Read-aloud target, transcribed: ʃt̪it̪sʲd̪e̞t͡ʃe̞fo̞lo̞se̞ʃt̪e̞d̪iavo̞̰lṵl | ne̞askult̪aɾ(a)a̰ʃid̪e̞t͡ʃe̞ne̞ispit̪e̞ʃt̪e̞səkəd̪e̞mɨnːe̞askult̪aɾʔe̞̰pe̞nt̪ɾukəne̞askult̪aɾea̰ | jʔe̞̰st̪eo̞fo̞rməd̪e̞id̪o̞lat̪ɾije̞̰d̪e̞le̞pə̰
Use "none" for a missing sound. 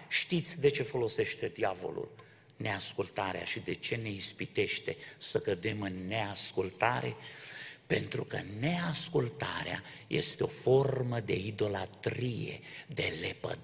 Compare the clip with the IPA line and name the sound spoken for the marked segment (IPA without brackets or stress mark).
e